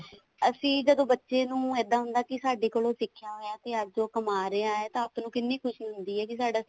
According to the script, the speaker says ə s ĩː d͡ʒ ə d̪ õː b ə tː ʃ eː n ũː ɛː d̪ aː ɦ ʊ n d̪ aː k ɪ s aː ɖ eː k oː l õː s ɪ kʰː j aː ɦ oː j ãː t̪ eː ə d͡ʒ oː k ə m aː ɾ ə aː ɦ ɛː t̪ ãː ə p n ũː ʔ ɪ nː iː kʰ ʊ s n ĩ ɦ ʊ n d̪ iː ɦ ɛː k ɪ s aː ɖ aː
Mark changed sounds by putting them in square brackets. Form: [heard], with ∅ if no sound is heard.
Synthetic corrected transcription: ə s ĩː d͡ʒ ə d̪ õː b ə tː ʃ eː n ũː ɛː d̪ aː ɦ ʊ n d̪ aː k ɪ s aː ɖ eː k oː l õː s ɪ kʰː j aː ɦ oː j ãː t̪ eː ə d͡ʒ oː k ə m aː ɾ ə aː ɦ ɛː t̪ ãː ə p n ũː [k] ɪ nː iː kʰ ʊ [ʃ] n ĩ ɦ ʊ n d̪ iː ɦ ɛː k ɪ s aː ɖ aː